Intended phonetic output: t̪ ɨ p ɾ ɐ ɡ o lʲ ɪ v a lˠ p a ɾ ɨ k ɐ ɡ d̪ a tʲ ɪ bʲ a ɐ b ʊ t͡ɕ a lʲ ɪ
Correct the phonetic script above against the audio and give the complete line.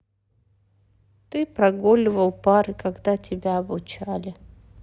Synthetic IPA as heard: t̪ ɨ p ɾ ɐ ɡ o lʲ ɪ v ə lˠ p a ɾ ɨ k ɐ ɡ d̪ a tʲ ɪ bʲ a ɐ b ʊ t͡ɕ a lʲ ɪ